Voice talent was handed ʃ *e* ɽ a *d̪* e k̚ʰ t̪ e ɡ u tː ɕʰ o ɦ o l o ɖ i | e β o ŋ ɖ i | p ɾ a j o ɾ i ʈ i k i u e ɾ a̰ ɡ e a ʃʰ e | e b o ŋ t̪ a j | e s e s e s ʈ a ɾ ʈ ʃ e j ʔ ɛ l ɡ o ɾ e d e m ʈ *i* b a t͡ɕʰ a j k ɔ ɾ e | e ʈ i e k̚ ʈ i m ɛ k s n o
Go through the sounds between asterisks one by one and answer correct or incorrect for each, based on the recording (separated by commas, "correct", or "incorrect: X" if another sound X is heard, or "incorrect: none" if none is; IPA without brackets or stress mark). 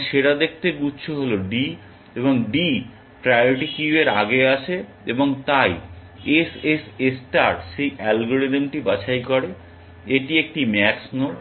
correct, correct, correct